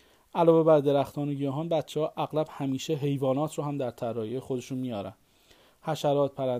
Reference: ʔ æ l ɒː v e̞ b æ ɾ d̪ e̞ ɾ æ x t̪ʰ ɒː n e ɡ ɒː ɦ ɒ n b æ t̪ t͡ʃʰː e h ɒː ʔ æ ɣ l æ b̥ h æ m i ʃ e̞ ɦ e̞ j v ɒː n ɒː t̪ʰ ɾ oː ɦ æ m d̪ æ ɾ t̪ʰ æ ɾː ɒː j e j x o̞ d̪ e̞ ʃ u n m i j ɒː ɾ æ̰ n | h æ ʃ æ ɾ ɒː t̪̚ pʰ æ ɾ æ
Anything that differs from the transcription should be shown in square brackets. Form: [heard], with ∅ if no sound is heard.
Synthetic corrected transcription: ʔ æ l ɒː v e̞ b æ ɾ d̪ e̞ ɾ æ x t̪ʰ ɒː n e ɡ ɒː ɦ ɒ n b æ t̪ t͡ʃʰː e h ɒː ʔ æ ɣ l æ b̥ h æ m [iː] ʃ e̞ ɦ e̞ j v ɒː n ɒː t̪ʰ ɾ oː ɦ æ m d̪ æ ɾ t̪ʰ æ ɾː ɒː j e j x o̞ d̪ e̞ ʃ u n m i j ɒː ɾ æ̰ n | h æ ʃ æ ɾ ɒː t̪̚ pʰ æ ɾ æ